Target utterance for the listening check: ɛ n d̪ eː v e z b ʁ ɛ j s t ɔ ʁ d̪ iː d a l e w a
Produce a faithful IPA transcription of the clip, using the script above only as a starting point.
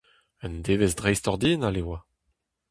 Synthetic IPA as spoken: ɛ n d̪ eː v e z d ʁ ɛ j s t ɔ ʁ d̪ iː n a l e w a

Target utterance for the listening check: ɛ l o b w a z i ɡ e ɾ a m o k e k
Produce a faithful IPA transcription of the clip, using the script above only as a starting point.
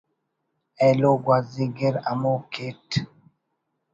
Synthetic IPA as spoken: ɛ l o ɡ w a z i ɡ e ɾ a m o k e t

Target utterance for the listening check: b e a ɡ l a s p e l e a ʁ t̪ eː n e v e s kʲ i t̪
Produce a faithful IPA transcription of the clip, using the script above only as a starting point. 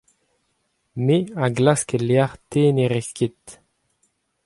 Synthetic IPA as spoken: m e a ɡ l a s k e l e a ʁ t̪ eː n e ʁ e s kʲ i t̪

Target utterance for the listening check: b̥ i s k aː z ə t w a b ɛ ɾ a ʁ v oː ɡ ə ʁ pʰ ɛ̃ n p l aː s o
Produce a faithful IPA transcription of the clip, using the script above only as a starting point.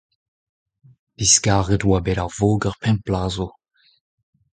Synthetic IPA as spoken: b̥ i s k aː ʁ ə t w a b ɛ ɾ a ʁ v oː ɡ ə ʁ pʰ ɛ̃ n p l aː z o

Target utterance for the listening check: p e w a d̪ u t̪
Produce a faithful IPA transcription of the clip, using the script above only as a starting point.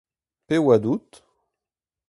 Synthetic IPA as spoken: p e w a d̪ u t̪

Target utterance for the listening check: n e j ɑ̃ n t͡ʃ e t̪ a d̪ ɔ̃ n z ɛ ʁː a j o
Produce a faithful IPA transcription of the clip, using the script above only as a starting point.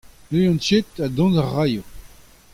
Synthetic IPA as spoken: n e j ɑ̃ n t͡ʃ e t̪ a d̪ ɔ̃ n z a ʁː a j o

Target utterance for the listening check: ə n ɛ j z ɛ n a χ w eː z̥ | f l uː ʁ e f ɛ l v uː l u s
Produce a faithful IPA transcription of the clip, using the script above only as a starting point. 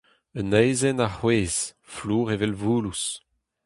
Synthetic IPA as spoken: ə n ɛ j z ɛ n a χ w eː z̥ | f l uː ʁ e v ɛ l v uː l u s

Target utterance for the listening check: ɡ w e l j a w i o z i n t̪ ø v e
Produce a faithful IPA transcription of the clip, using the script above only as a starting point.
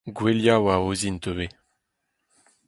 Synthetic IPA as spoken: ɡ w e l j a w a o z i n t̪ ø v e

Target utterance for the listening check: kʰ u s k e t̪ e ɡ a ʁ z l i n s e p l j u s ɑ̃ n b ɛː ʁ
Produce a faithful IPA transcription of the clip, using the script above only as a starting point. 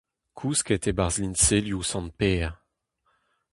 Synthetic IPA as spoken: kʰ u s k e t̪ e b a ʁ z l i n s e l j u s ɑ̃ n p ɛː ʁ

